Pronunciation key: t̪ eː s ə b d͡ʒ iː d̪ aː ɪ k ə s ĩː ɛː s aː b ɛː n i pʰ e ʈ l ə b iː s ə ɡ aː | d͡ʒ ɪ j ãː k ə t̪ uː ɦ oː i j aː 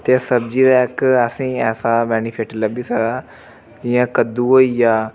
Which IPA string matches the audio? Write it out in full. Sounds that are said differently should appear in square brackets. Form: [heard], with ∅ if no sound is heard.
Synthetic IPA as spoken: t̪ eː s ə b d͡ʒ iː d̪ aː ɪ k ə s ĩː ɛː s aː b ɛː n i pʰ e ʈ l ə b iː s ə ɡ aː | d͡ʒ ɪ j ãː k ə [d̪] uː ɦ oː i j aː